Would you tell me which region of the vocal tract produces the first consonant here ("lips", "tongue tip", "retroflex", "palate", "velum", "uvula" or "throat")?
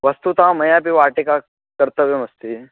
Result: lips